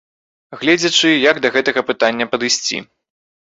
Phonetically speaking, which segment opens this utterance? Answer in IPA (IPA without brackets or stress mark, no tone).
ɣ